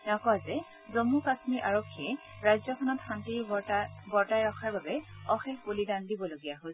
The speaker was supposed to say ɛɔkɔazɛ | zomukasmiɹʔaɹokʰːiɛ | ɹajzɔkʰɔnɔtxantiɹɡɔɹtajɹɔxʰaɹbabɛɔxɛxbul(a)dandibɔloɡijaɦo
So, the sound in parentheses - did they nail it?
no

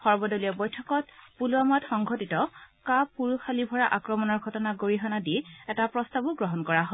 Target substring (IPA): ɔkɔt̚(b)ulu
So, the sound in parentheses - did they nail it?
no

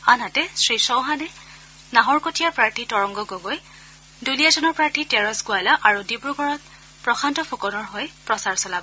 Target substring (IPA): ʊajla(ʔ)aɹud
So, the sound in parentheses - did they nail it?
yes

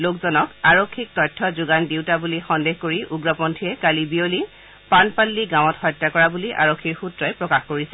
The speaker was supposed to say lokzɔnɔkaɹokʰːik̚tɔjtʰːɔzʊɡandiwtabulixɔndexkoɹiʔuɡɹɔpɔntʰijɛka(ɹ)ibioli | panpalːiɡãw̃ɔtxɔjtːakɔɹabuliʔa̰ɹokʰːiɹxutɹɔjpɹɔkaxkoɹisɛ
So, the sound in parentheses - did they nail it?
no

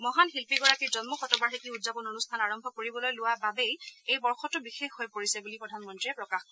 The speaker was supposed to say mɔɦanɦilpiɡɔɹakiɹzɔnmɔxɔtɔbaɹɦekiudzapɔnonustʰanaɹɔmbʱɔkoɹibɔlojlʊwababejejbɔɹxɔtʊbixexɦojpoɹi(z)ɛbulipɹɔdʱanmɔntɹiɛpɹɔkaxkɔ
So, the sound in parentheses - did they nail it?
no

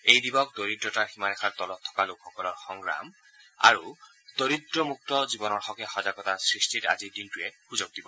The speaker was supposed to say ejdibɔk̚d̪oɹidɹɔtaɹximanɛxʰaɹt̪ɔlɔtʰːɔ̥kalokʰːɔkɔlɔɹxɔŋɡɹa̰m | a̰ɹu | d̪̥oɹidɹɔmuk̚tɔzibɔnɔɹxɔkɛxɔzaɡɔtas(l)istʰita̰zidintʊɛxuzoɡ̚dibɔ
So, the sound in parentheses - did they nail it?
no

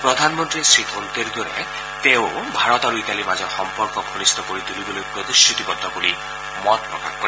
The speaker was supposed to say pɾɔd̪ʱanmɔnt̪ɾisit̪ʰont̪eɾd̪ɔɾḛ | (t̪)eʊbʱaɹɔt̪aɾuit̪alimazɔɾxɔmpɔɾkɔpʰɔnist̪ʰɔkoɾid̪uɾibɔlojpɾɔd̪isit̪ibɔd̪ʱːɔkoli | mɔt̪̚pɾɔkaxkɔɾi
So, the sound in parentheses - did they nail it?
yes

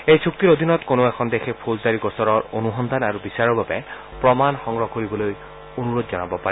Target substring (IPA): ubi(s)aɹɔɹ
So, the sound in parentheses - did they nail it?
yes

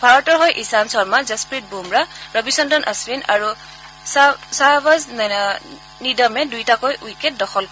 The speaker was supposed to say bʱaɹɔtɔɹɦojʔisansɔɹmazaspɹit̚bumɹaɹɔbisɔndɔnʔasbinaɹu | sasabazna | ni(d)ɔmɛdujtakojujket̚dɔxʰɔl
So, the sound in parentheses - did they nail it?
yes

